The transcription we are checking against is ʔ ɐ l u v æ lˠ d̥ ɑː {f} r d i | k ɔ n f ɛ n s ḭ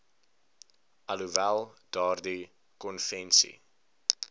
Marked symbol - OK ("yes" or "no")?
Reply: no